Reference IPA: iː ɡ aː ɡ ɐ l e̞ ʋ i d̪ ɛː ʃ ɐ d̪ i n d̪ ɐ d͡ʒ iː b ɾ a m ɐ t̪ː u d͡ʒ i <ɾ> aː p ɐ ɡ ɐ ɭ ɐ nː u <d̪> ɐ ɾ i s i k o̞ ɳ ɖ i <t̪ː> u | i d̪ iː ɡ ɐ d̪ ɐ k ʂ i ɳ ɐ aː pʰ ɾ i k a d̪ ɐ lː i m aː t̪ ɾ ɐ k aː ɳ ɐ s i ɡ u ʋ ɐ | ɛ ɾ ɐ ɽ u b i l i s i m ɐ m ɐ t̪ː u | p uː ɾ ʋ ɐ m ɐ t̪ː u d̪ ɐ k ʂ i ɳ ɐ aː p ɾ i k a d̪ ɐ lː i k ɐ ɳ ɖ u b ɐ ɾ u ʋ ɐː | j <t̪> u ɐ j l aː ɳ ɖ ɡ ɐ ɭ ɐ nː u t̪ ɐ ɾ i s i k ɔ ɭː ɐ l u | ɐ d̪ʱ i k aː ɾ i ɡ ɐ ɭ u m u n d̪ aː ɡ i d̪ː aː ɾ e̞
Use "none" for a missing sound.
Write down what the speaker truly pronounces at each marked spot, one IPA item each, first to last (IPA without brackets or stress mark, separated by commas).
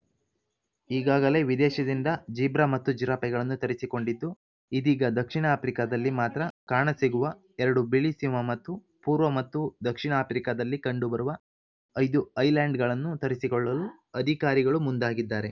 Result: ɾ, t̪, d̪ː, d̪